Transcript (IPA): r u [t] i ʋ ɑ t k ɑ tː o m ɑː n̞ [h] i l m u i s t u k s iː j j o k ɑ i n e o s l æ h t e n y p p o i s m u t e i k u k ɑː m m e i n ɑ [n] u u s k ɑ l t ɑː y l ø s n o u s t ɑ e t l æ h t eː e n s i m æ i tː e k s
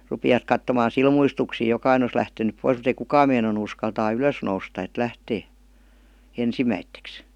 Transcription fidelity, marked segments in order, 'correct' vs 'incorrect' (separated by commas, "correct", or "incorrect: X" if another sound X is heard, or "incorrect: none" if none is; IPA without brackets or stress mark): incorrect: p, incorrect: s, correct